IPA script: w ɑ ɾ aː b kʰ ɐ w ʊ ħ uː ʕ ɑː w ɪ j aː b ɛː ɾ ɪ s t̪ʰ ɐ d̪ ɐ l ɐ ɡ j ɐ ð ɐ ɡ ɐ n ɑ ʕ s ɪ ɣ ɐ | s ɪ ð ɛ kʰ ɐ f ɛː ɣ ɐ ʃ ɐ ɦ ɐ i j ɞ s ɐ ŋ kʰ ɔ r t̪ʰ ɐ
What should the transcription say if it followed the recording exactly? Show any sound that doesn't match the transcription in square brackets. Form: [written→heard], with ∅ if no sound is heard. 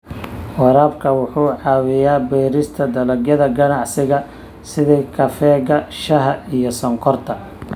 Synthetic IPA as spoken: w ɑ ɾ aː b kʰ ɐ w ʊ ħ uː ʕ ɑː w ɪ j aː b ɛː ɾ ɪ s t̪ʰ ɐ d̪ ɐ l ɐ ɡ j ɐ ð ɐ ɡ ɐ n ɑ ʕ s ɪ ɣ ɐ | s ɪ ð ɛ kʰ ɐ f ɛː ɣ ɐ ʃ ɐ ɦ ɐ i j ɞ s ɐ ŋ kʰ ɔ r t̪ʰ ɐ